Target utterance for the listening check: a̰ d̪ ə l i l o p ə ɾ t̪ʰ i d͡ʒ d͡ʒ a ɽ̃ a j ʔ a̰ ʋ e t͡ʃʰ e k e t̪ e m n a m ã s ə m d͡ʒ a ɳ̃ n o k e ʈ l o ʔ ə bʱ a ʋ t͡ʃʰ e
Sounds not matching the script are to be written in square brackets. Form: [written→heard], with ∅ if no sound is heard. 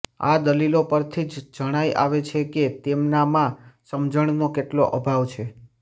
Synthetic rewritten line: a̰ d̪ ə l i l o p ə ɾ t̪ʰ i d͡ʒ d͡ʒ [a→ə] ɽ̃ a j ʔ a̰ ʋ e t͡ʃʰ e k e t̪ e m n a m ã s ə m d͡ʒ [a→ə] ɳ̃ n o k e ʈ l o ʔ ə bʱ a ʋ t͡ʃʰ e